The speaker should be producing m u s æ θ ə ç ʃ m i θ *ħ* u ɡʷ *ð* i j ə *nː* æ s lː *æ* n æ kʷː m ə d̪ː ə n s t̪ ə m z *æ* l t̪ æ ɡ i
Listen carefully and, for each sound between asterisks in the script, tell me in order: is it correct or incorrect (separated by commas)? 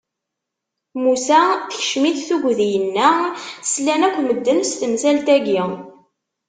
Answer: incorrect, correct, correct, correct, correct